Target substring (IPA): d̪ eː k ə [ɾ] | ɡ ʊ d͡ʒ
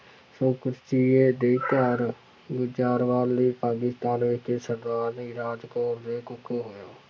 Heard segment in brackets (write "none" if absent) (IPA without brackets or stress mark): ɾ